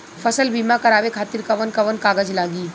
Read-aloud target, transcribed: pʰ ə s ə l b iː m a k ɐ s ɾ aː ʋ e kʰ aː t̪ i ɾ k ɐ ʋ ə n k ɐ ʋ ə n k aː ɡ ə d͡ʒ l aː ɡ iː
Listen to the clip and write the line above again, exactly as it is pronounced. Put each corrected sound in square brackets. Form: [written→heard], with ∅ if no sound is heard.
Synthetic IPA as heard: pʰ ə s ə l b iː m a k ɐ [s→∅] ɾ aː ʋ e kʰ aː t̪ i ɾ k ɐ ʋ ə n k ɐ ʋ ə n k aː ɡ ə d͡ʒ l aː ɡ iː

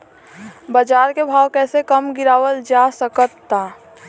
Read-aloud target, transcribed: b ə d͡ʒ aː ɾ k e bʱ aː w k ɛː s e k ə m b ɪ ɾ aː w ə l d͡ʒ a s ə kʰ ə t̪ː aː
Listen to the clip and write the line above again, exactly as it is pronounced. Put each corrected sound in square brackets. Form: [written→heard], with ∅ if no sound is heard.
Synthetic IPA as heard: b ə d͡ʒ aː ɾ k e bʱ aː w k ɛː s e k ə m [b→ɡ] ɪ ɾ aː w ə l d͡ʒ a s ə [kʰ→k] ə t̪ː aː

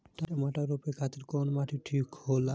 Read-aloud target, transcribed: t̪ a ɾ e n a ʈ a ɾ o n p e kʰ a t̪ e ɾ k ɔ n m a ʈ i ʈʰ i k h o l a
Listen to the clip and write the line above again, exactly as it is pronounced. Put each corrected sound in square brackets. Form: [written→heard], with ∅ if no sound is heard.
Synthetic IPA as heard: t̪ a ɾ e [n→m] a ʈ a ɾ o [n→∅] p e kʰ a t̪ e ɾ k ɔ n m a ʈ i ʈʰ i k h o l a

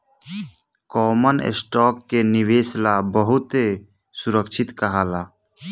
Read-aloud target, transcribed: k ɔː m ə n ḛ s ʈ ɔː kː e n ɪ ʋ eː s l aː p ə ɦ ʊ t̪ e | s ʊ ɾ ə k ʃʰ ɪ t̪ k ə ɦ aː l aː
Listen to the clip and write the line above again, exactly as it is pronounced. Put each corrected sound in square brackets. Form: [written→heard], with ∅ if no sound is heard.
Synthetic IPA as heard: k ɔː m ə n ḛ s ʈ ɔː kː e n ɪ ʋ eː s l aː [p→b] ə ɦ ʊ t̪ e | s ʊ ɾ ə k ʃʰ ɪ t̪ k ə ɦ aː l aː

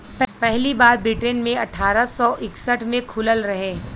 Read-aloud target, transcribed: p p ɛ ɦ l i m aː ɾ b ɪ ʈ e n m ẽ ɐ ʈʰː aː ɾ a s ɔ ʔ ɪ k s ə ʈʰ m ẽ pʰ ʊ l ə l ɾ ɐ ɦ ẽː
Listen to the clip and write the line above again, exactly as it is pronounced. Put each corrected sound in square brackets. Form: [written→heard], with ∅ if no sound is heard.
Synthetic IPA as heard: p p ɛ ɦ l i [m→b] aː ɾ b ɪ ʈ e n m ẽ ɐ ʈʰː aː ɾ a s ɔ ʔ ɪ k s ə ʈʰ m ẽ [pʰ→kʰ] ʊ l ə l ɾ ɐ ɦ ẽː

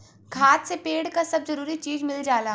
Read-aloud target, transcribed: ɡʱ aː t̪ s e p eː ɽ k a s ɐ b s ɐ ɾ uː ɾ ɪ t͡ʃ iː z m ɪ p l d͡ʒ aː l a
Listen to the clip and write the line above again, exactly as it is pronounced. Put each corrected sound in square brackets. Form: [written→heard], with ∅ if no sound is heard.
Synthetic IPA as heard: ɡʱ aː t̪ s e p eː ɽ k a s ɐ b [s→z] ɐ ɾ uː ɾ [ɪ→i] t͡ʃ iː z m ɪ [p→∅] l d͡ʒ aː l a

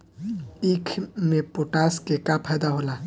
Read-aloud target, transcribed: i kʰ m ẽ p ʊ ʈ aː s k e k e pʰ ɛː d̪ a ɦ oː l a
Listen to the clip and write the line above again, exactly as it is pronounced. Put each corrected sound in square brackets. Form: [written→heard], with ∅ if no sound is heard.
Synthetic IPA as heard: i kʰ m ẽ p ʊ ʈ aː s k e k [e→a] pʰ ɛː d̪ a ɦ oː l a

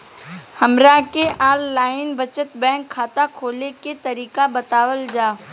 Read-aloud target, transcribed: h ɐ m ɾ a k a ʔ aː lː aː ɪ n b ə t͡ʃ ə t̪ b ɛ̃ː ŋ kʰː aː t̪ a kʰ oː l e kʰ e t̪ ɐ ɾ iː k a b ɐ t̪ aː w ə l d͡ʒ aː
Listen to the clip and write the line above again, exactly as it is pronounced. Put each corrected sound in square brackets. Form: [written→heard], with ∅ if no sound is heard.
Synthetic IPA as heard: h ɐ m ɾ a k [a→e] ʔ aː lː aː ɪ n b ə t͡ʃ ə t̪ b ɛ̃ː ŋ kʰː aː t̪ a kʰ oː l e [kʰ→k] e t̪ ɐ ɾ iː k a b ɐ t̪ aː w ə l d͡ʒ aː

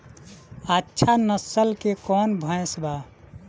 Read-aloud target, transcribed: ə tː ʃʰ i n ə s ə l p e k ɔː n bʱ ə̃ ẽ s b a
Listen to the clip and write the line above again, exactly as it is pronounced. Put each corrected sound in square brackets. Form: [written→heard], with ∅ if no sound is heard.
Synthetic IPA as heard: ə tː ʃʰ [i→a] n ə s ə l [p→k] e k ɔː n bʱ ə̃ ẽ s b a

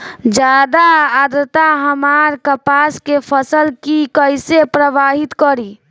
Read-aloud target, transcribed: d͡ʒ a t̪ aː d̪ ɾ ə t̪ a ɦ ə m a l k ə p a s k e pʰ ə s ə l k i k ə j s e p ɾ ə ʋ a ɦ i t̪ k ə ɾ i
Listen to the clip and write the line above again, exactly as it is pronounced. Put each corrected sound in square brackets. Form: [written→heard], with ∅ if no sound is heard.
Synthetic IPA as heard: d͡ʒ a [t̪→d̪] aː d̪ ɾ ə t̪ a ɦ ə m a [l→ɾ] k ə p a s k e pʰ ə s ə l k i k ə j s e p ɾ ə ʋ a ɦ i t̪ k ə ɾ i

